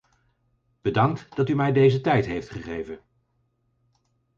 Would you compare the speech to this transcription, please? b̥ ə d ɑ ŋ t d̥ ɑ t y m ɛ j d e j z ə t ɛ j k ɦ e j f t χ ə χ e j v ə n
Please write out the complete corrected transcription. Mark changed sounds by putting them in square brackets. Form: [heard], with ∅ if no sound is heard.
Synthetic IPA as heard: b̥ ə d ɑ ŋ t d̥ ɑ t y m ɛ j d e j z ə t ɛ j [t] ɦ e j f t χ ə χ e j v ə n